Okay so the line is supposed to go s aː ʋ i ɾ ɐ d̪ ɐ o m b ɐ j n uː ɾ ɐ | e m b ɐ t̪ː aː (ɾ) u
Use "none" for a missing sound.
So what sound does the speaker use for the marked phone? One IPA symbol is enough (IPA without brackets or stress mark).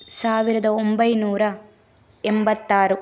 ɾ